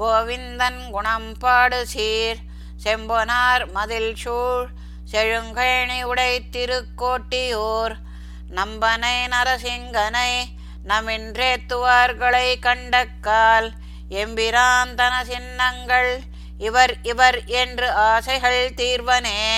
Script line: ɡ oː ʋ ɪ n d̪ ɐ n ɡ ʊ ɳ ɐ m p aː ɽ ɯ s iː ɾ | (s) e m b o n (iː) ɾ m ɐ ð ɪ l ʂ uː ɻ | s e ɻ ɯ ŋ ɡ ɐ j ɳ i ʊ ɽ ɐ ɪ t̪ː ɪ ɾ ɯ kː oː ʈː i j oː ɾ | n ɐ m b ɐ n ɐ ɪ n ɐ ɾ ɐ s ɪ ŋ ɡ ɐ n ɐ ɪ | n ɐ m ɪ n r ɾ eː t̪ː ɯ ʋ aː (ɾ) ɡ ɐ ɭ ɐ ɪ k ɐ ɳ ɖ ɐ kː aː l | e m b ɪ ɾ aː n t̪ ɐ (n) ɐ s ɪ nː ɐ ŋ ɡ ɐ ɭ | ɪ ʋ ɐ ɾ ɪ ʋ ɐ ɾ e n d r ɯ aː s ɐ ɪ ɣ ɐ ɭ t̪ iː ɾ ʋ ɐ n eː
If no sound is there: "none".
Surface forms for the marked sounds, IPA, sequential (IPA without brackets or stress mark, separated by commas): s, aː, ɾ, n